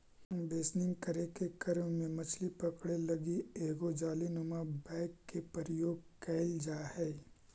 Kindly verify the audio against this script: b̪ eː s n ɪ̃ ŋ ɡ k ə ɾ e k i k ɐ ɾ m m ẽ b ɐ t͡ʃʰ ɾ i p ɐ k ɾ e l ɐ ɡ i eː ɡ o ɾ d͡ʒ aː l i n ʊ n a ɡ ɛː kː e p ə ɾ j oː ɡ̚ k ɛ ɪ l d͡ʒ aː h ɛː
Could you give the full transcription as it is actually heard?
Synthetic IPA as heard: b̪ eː s n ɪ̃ ŋ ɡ k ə ɾ e k e k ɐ ɾ m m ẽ m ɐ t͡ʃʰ l i p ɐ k ɽ e l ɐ ɡ i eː ɡ o d͡ʒ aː l i n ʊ m a b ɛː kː e p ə ɾ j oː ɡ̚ k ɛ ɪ l d͡ʒ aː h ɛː